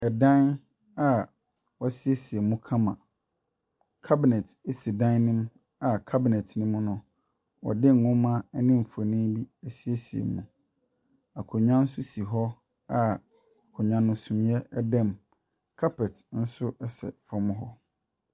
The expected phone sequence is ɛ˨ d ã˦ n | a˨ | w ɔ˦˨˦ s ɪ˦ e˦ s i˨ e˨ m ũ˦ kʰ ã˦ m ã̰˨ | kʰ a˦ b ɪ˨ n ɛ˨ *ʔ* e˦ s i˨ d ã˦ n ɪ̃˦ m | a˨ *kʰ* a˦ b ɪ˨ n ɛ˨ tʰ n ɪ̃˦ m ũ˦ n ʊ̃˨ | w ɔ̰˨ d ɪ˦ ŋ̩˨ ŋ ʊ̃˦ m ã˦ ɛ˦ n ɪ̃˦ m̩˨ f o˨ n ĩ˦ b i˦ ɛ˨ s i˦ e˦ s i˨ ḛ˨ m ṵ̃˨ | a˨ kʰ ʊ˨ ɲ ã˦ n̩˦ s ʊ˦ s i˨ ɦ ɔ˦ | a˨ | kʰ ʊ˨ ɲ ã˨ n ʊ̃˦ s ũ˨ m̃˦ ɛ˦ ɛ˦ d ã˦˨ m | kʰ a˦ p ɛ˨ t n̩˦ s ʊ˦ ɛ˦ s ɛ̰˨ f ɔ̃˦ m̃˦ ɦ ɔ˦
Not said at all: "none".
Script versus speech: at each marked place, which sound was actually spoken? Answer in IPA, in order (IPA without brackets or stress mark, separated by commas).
t, kʰ